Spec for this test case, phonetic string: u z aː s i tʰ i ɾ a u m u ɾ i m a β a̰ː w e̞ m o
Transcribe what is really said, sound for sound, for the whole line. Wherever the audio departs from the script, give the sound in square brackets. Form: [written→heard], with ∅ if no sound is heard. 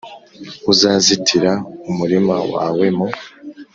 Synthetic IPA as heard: u z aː [s→z] i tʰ i ɾ a u m u ɾ i m a [β→w] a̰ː w e̞ m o

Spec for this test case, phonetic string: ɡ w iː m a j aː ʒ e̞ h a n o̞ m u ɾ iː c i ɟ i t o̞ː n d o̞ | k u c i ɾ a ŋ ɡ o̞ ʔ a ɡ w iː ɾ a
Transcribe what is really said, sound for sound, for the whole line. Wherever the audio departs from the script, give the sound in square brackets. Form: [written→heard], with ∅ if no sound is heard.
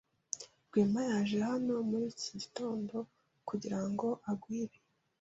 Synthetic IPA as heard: ɡ w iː m a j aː ʒ e̞ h a n o̞ m u ɾ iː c i ɟ i t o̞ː n d o̞ | k u [c→ɟ] i ɾ a ŋ ɡ o̞ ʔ a ɡ w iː ɾ [a→e]

